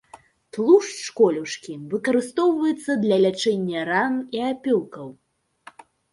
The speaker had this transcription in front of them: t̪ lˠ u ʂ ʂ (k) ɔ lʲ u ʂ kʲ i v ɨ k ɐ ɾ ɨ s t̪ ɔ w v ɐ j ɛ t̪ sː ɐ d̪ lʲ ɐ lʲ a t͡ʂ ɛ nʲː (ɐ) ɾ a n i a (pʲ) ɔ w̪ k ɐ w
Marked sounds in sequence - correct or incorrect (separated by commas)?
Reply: correct, correct, correct